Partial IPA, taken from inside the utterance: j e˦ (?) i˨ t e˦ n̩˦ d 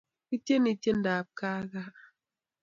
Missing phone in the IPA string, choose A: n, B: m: A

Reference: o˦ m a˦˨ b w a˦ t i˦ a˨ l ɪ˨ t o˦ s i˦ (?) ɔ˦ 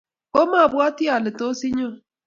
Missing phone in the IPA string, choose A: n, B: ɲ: B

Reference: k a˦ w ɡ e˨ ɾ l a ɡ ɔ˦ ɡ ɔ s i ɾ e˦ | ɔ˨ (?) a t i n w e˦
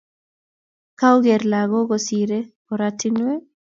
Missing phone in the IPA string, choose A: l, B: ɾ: B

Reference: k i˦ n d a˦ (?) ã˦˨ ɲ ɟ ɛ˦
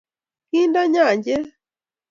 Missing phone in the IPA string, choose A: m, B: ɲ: B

